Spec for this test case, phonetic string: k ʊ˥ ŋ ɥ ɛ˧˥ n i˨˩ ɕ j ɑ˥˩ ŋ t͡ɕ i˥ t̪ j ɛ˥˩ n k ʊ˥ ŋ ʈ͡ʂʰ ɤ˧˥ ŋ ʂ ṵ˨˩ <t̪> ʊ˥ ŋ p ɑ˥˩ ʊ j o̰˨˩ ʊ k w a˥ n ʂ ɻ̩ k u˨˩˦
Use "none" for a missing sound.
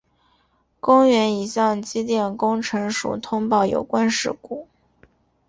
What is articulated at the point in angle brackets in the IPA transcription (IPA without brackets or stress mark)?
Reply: t̪ʰ